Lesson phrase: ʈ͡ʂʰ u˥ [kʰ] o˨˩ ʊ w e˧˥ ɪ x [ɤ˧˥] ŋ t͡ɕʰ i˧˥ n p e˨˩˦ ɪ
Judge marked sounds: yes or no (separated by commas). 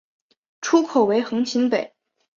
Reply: yes, yes